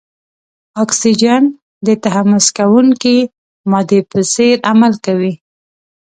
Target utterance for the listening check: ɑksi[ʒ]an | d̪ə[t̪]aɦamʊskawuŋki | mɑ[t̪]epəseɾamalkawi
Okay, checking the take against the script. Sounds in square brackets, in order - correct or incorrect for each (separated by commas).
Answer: incorrect, correct, incorrect